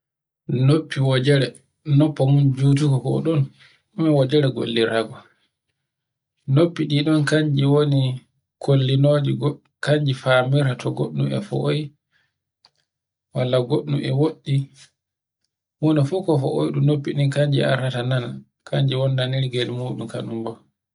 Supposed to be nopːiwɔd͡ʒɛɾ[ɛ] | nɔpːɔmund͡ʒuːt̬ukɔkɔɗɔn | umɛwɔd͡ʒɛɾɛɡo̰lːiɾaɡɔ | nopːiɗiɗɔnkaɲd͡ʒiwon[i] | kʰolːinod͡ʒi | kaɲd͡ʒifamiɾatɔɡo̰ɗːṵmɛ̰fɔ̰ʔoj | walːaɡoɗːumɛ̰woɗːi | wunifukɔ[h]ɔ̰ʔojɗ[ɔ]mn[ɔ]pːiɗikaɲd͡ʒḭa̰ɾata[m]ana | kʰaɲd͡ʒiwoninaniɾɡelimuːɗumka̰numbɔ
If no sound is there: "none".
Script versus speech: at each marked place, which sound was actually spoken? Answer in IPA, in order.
ɛ, i, f, u, o, n

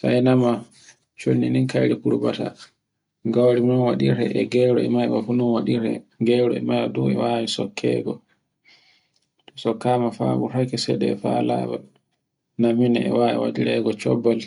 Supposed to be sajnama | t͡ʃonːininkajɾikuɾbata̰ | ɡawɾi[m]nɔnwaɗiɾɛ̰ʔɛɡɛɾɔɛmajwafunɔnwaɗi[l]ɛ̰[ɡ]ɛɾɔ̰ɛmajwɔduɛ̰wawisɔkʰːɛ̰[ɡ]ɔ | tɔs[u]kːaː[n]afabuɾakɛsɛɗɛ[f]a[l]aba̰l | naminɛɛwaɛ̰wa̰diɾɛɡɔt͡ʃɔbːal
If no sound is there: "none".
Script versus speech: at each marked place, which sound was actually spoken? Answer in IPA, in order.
m, ɾ, ɡ, ɡ, ɔ, m, f, l

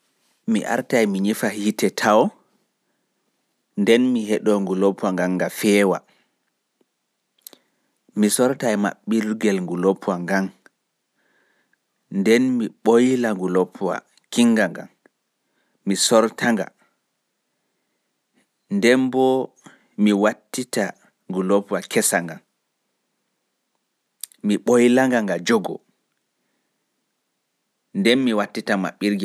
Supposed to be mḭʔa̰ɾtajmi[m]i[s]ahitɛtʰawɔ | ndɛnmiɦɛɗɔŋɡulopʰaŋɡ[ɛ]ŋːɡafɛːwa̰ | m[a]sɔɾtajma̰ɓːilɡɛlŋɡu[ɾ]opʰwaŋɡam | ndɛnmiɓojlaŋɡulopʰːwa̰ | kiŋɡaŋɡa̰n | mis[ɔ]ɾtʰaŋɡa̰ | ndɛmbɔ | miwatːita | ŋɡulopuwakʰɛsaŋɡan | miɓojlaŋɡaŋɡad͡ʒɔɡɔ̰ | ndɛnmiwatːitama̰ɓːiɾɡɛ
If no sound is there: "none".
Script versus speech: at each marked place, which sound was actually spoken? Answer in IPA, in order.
ɲ, f, a, i, l, ɔ

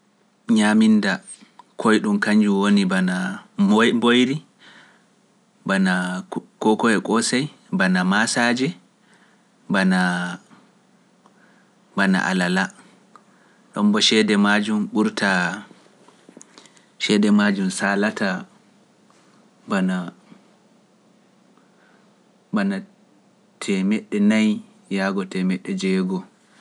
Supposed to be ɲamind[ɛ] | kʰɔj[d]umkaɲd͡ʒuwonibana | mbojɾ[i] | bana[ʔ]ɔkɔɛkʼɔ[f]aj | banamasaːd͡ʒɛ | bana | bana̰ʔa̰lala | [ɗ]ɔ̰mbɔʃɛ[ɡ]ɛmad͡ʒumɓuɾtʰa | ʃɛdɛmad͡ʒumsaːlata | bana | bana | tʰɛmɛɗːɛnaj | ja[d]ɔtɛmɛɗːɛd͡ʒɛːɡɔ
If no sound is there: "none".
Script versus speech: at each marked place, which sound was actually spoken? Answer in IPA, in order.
a, ɗ, i, k, s, ɗ, d, ɡ

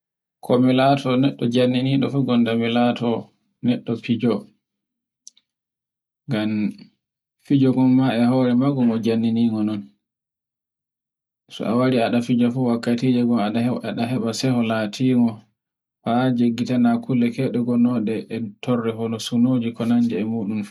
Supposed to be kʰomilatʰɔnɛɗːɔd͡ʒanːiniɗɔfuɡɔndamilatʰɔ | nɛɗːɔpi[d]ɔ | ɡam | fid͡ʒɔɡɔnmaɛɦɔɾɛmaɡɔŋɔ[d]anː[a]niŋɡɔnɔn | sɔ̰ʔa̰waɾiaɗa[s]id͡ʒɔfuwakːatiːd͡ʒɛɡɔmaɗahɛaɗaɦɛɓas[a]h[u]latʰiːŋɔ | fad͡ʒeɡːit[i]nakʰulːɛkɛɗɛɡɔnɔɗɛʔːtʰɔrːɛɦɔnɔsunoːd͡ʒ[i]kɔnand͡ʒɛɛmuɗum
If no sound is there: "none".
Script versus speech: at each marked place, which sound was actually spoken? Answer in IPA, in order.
d͡ʒ, d͡ʒ, i, f, ɛ, ɔ, a, i

